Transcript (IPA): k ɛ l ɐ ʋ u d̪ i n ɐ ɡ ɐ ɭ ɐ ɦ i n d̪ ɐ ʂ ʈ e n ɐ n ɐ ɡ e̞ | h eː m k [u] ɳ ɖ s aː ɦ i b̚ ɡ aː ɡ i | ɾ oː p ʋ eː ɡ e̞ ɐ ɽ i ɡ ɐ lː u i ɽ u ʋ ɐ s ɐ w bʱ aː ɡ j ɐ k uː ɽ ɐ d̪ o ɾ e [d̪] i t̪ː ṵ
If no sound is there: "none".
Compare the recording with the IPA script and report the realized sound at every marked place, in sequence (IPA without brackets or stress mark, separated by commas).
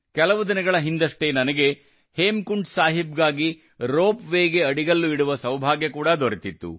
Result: u, t̪